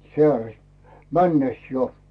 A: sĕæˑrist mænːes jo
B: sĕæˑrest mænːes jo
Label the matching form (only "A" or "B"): B